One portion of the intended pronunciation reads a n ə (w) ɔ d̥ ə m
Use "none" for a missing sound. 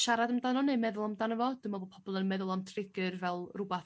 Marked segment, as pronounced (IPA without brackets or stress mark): v